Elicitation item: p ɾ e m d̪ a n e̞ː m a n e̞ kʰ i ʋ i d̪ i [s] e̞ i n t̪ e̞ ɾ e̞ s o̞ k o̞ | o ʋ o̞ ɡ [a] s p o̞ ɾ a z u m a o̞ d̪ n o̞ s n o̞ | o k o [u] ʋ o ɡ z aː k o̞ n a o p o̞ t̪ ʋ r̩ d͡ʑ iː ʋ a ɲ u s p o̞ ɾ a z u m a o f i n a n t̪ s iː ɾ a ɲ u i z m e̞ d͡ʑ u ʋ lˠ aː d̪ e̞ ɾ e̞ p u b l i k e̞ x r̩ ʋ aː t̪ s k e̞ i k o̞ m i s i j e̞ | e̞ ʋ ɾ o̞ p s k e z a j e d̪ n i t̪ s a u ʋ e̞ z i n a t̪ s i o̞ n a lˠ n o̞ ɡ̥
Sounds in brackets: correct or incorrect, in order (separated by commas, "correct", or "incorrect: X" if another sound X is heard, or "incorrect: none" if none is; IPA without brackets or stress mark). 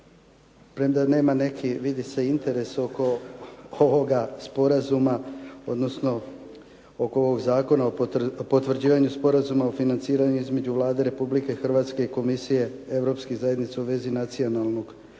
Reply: correct, correct, incorrect: o